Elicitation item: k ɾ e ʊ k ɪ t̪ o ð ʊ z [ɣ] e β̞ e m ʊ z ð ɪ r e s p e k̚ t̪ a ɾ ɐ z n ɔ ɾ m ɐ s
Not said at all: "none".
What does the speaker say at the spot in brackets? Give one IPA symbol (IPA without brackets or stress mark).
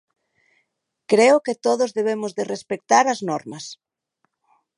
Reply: ð